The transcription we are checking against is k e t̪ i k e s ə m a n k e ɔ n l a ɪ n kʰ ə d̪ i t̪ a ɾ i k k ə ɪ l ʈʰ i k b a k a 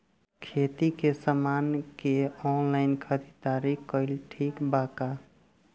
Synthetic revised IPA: kʰ e t̪ i k e s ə m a n k e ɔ n l a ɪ n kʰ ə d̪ i t̪ a ɾ i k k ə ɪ l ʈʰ i k b a k a